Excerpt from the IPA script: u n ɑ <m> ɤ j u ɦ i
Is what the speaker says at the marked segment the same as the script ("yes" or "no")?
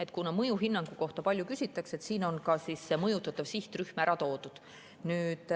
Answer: yes